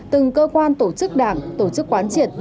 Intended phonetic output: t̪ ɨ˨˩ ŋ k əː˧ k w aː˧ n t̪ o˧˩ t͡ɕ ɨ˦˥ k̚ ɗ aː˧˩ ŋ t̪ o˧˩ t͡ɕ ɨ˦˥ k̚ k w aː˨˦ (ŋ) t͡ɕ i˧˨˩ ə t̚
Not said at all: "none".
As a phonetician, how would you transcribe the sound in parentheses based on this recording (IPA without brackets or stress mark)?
n